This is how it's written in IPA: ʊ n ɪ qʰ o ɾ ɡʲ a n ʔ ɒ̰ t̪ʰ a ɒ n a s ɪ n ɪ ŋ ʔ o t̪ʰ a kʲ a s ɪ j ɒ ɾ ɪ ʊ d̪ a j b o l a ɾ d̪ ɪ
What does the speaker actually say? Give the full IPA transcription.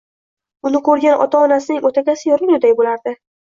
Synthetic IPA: ʊ n ɪ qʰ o ɾ ɡʲ a n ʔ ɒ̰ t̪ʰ a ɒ n a s ɪ n ɪ ŋ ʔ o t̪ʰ a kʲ a s ɪ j ɒ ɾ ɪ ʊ d̪ a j b o l a ɾ d̪ ɪ